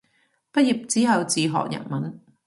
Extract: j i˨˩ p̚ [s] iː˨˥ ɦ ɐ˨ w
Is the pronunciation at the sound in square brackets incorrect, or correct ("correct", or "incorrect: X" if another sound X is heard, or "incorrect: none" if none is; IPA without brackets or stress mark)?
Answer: incorrect: t͡s